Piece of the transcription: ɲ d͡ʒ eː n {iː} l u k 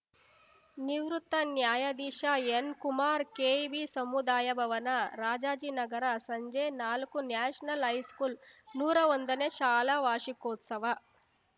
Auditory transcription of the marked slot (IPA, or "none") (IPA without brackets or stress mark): aː